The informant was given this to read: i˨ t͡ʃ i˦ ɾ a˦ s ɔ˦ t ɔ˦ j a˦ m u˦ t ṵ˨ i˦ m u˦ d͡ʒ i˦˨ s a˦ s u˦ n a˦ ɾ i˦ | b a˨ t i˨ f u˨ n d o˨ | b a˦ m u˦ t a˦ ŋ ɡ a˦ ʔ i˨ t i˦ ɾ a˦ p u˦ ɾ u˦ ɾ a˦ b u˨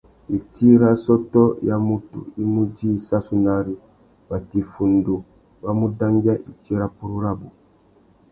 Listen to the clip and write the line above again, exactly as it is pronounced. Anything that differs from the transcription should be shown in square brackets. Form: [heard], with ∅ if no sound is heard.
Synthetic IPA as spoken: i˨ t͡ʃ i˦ ɾ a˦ s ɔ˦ t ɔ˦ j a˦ m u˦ t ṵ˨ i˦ m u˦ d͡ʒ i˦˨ s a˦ s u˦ n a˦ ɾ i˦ | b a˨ t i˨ f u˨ n d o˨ | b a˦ m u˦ [d] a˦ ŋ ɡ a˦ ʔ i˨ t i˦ ɾ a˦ p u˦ ɾ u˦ ɾ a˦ b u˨